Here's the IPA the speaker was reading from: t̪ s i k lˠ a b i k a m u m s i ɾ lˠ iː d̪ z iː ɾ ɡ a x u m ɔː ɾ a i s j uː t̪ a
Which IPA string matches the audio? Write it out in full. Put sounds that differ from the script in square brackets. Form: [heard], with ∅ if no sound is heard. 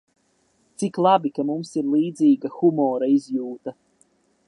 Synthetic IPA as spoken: t̪ s i k lˠ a b i k a m u m s i ɾ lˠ iː d̪ z iː [∅] ɡ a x u m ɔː ɾ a i [z] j uː t̪ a